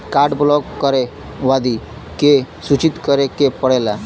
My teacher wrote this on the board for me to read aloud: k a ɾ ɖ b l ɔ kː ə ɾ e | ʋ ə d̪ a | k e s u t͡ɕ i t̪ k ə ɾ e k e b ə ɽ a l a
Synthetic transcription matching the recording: k a ɾ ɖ b l ɔ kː ə ɾ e | ʋ a d̪ i | k e s u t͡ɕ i t̪ k ə ɾ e k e p ə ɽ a l a